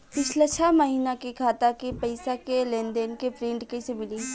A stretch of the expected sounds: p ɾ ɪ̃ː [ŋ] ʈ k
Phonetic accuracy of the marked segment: incorrect: ɳ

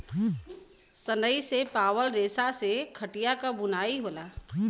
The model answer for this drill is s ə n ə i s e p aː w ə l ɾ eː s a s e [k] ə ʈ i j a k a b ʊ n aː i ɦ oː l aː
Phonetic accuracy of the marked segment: incorrect: kʰ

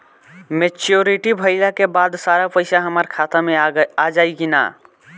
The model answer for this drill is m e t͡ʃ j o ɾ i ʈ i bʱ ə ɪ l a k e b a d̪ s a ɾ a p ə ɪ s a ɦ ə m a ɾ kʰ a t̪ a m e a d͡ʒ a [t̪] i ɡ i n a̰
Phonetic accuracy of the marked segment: incorrect: none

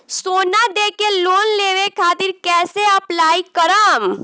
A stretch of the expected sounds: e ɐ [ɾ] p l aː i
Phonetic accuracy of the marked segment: incorrect: none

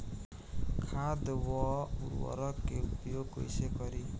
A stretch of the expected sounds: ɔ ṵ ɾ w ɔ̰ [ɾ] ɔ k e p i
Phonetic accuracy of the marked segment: correct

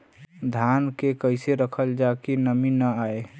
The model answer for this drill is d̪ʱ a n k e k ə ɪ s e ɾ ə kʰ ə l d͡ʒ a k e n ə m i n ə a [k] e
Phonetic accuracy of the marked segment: incorrect: none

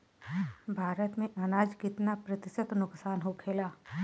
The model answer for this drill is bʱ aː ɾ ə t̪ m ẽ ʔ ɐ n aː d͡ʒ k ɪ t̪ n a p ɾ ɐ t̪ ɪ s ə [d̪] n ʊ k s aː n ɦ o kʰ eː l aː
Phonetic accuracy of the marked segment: incorrect: t̪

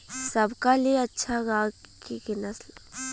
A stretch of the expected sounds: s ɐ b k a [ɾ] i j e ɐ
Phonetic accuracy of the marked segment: incorrect: l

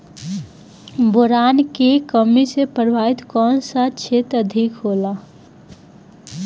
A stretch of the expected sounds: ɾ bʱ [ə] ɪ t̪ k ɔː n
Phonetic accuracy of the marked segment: incorrect: a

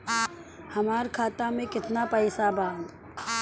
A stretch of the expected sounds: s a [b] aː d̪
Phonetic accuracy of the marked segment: correct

